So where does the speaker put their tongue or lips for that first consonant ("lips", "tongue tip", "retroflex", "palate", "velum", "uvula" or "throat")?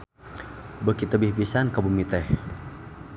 lips